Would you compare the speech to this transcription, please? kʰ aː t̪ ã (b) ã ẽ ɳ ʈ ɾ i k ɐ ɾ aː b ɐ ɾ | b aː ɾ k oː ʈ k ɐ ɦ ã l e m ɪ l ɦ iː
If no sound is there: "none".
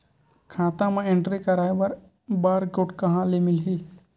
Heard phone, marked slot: m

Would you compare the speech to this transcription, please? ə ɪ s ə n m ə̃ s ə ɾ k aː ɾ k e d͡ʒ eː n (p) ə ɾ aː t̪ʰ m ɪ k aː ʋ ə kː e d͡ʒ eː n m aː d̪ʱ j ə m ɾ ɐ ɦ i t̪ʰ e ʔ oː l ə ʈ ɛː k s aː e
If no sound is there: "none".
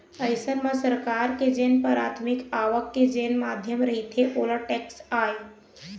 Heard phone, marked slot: p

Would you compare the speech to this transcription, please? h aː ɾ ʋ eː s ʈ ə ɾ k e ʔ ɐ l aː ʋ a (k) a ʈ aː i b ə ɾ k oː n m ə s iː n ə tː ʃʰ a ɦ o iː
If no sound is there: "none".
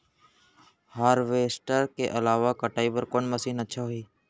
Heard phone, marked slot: k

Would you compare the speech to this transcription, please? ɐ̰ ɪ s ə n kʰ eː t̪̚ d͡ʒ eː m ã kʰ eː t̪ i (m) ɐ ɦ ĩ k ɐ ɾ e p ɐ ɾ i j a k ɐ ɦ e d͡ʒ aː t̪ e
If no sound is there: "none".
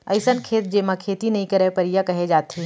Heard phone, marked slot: n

